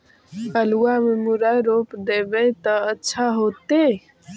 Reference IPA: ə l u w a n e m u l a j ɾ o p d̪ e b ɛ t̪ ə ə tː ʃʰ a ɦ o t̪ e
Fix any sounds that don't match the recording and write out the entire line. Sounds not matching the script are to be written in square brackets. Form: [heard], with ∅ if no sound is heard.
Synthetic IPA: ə l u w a [m] e m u [ɾ] a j ɾ o p d̪ e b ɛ t̪ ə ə tː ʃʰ a ɦ o t̪ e